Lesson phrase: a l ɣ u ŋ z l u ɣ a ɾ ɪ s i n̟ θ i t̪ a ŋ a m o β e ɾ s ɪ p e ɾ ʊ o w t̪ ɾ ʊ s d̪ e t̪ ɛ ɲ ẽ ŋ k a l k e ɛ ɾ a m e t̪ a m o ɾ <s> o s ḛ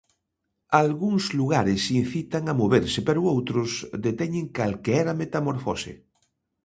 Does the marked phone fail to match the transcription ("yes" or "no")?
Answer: yes